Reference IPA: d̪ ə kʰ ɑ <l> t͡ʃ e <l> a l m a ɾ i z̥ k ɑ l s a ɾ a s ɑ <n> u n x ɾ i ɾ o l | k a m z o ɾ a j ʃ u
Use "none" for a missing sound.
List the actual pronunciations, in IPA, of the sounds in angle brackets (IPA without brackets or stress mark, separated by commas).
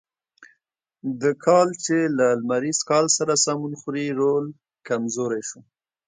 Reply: l, l, m